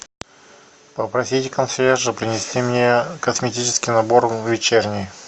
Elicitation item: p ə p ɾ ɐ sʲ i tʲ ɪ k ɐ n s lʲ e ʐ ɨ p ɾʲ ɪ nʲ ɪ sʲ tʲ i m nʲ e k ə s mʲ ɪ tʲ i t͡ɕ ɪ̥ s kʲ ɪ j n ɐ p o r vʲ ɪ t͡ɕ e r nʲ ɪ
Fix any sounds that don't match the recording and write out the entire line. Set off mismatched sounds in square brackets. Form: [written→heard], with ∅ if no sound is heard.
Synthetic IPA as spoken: p ə p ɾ ɐ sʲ i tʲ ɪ k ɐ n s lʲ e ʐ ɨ p ɾʲ ɪ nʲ ɪ sʲ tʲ i m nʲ e k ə s mʲ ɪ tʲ i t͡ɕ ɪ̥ s kʲ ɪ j n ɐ [p→b] o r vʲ ɪ t͡ɕ e r nʲ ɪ